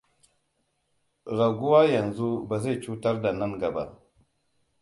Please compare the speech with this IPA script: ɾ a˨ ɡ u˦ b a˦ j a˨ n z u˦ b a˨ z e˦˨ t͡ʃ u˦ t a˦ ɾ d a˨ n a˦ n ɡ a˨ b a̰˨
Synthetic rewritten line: ɾ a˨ ɡ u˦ w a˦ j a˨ n z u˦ b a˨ z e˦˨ t͡ʃ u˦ t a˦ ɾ d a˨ n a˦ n ɡ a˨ b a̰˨